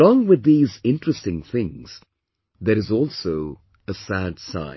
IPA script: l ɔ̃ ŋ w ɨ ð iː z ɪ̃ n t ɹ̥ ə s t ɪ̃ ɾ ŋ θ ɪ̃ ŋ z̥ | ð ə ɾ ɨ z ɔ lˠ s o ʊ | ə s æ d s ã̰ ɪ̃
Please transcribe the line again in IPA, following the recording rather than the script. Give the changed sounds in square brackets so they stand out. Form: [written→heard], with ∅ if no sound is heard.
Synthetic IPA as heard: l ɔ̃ ŋ w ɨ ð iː z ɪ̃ n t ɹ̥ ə s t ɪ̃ [ɾ→∅] ŋ θ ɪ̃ ŋ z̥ | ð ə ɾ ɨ z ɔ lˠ s o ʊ | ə s æ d s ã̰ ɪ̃